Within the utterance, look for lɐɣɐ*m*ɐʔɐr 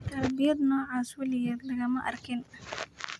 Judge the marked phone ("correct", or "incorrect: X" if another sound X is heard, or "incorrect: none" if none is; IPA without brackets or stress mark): correct